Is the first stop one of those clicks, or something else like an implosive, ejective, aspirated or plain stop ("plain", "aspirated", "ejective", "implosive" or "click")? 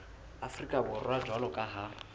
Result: ejective